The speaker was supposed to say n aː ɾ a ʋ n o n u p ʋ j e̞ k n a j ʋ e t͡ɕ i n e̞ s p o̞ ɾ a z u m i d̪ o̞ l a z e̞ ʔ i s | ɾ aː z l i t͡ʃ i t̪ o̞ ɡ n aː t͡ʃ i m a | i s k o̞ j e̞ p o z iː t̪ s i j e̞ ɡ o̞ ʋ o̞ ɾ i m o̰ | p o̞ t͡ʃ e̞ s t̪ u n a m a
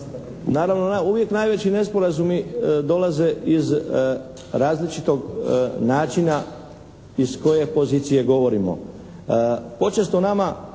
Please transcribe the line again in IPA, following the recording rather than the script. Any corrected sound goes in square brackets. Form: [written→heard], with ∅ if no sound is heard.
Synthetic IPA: n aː ɾ a ʋ n o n u [p→∅] ʋ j e̞ k n a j ʋ e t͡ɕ i n e̞ s p o̞ ɾ a z u m i d̪ o̞ l a z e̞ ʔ i [s→z] | ɾ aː z l i t͡ʃ i t̪ o̞ ɡ n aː t͡ʃ i [m→n] a | i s k o̞ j e̞ p o z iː t̪ s i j e̞ ɡ o̞ ʋ o̞ ɾ i m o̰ | p o̞ t͡ʃ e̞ s t̪ [u→o] n a m a